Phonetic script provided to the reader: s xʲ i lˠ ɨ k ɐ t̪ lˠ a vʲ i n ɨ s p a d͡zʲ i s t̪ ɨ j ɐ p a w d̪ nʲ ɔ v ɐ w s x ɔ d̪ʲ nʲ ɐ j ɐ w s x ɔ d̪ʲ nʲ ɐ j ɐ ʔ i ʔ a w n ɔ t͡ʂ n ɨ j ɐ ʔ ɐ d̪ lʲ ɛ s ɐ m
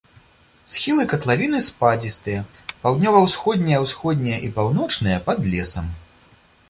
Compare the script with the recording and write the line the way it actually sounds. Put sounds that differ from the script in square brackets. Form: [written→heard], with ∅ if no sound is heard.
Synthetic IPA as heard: s xʲ i lˠ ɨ k ɐ t̪ lˠ a vʲ i n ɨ s p a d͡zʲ i s t̪ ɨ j ɐ p a w d̪ nʲ ɔ v ɐ w s x ɔ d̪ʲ nʲ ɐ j ɐ w s x ɔ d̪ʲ nʲ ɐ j ɐ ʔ i [ʔ→p] a w n ɔ t͡ʂ n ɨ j ɐ [ʔ→p] ɐ d̪ lʲ ɛ s ɐ m